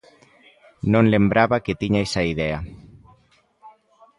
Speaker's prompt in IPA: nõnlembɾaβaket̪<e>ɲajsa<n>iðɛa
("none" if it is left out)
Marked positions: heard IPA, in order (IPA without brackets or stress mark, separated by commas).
i, none